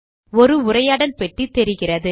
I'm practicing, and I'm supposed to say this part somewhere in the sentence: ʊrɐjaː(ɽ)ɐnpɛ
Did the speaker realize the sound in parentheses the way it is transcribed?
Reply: yes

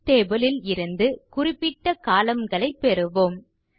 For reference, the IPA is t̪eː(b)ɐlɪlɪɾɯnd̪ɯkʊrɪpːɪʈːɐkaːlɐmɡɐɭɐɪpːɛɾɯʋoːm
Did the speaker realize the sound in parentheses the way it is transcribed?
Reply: yes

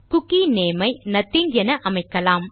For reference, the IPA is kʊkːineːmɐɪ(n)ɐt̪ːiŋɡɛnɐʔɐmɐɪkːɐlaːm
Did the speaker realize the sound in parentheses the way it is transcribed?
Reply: yes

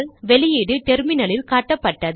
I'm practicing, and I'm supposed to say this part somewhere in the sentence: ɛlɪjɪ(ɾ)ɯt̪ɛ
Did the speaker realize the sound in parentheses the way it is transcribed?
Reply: no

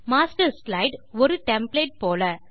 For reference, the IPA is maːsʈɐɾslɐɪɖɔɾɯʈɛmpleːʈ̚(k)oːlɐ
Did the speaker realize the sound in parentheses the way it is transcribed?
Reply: no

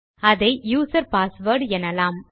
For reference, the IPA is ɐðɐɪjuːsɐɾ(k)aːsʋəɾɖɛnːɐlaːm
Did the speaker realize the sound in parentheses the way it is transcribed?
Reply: no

